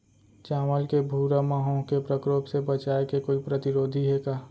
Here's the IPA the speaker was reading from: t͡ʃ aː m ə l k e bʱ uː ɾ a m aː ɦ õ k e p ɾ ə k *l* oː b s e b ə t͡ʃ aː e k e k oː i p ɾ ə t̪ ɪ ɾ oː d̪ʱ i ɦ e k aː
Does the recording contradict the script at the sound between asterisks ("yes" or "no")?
yes